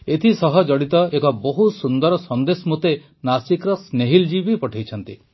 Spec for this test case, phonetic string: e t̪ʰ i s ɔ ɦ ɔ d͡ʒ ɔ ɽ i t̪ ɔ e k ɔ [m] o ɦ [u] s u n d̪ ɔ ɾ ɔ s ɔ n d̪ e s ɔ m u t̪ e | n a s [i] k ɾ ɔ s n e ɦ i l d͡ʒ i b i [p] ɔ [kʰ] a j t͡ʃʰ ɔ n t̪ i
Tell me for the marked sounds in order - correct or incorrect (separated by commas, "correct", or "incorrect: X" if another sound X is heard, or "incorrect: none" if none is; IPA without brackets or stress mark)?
incorrect: b, correct, correct, correct, incorrect: ʈʰ